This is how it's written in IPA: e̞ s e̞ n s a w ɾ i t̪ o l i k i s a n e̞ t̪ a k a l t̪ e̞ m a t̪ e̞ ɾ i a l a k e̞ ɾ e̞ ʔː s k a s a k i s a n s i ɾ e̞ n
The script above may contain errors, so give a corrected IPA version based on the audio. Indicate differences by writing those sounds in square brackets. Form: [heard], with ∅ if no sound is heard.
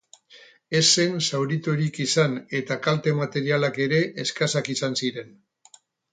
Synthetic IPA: e̞ s e̞ n s a w ɾ i t̪ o [ɾ] i k i s a n e̞ t̪ a k a l t̪ e̞ m a t̪ e̞ ɾ i a l a k e̞ ɾ e̞ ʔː s k a s a k i s a n s i ɾ e̞ n